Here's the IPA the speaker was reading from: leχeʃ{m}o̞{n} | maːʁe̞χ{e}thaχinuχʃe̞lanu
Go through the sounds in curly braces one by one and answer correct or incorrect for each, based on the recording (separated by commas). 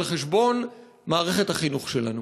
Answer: incorrect, correct, correct